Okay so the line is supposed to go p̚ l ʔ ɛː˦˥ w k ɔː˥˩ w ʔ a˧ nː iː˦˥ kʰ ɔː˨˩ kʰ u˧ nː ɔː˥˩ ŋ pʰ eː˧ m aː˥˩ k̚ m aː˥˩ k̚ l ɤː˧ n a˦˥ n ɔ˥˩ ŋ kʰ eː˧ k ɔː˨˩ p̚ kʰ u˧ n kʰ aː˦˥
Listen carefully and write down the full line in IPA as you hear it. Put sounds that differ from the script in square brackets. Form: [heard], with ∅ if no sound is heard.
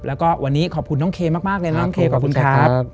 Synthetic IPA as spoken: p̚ l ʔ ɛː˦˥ w k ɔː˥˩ w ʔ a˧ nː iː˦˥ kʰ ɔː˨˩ kʰ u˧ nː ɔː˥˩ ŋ [kʰ] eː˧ m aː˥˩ k̚ m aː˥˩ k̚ l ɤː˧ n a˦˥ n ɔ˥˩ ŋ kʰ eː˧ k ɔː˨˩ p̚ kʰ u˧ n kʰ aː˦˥